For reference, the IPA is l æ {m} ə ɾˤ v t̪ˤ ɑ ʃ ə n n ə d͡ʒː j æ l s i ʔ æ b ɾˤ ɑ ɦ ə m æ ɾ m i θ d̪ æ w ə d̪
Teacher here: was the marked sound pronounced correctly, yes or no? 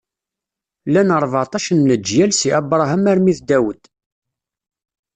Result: no